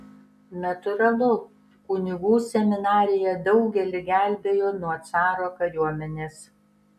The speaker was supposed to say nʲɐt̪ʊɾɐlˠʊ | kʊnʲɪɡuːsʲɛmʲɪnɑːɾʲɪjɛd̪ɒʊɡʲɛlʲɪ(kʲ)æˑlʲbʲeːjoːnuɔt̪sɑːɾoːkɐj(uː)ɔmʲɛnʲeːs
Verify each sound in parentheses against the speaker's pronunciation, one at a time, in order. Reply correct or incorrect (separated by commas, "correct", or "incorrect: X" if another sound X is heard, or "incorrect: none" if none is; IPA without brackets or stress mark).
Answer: incorrect: ɡʲ, incorrect: u